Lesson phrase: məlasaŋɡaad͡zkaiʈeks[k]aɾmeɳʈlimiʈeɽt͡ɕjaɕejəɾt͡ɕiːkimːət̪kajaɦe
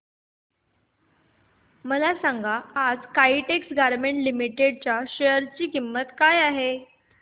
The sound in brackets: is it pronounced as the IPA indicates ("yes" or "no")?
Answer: no